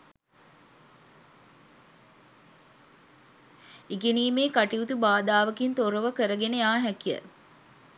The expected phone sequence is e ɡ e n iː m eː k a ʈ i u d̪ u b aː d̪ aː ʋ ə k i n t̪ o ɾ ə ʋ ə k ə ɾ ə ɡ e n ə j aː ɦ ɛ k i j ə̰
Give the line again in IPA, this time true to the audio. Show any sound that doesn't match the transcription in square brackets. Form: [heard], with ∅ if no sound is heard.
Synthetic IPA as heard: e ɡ e n iː m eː k a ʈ i u [t̪] u b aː d̪ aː ʋ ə k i n t̪ o ɾ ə ʋ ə k ə ɾ ə ɡ e n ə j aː ɦ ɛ k i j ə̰